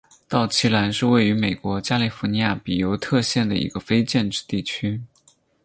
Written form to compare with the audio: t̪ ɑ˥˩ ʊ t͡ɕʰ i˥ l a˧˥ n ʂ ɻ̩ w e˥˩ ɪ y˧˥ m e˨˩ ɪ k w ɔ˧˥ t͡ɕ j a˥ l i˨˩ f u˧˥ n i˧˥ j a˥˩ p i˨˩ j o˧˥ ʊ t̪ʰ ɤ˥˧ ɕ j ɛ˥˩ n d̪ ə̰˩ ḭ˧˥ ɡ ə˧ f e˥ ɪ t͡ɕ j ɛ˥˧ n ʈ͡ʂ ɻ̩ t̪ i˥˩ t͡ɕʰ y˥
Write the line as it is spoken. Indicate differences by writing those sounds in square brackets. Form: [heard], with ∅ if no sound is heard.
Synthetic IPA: t̪ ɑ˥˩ ʊ t͡ɕʰ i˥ l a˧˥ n ʂ ɻ̩ w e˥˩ ɪ y˧˥ m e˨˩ ɪ k w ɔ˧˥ t͡ɕ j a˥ l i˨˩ f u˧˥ n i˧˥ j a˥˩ p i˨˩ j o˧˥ ʊ t̪ʰ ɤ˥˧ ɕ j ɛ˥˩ n d̪ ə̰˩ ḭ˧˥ ɡ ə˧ f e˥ ɪ t͡ɕ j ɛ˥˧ n ʈ͡ʂ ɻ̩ t̪ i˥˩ t͡ɕʰ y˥

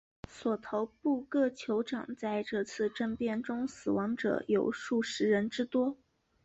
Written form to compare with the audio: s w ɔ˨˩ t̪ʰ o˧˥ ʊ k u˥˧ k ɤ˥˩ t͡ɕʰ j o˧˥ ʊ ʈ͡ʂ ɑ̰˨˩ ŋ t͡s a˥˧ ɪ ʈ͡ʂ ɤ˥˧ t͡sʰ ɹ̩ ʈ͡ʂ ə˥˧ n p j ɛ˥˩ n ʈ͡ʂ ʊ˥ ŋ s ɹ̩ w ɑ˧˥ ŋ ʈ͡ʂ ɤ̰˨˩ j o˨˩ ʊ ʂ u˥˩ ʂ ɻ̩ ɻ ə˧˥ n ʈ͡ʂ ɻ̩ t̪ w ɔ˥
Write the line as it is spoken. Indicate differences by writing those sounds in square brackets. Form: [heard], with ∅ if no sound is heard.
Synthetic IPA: s w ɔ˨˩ t̪ʰ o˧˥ ʊ [p] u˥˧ k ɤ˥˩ t͡ɕʰ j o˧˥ ʊ ʈ͡ʂ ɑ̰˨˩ ŋ t͡s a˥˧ ɪ ʈ͡ʂ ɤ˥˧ t͡sʰ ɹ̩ ʈ͡ʂ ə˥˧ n p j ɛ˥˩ n ʈ͡ʂ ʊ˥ ŋ s ɹ̩ w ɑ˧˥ ŋ ʈ͡ʂ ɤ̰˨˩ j o˨˩ ʊ ʂ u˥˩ ʂ ɻ̩ ɻ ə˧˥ n ʈ͡ʂ ɻ̩ t̪ w ɔ˥

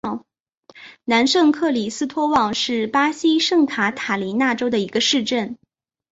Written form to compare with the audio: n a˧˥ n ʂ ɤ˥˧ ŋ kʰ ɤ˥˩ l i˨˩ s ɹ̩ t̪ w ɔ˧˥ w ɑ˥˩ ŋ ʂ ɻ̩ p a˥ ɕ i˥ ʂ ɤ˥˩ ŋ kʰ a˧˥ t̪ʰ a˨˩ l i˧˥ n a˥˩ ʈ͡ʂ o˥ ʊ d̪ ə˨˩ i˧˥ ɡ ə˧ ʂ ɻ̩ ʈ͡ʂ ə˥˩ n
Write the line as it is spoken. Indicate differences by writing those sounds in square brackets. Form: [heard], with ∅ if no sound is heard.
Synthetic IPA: n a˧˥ n ʂ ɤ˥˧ ŋ kʰ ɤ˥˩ l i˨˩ s ɹ̩ [t̪ʰ] w [ɔ˥] w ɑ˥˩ ŋ ʂ ɻ̩ p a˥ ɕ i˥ ʂ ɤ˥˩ ŋ kʰ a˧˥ t̪ʰ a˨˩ l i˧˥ n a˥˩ ʈ͡ʂ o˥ ʊ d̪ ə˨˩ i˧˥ ɡ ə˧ ʂ ɻ̩ ʈ͡ʂ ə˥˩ n

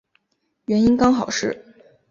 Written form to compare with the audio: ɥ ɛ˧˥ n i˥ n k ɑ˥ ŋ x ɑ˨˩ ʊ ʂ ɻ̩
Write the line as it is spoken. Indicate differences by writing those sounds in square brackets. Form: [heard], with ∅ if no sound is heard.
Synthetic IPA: ɥ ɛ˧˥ n i˥ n k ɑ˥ ŋ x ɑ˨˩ ʊ ʂ ɻ̩

